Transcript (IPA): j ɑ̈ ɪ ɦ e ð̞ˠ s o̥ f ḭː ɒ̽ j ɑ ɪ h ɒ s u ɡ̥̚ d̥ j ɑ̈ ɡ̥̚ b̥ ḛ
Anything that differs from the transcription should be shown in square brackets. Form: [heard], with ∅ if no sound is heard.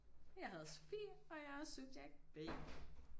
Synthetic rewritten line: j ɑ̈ ɪ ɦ [æ] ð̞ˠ s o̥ f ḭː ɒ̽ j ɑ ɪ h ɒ s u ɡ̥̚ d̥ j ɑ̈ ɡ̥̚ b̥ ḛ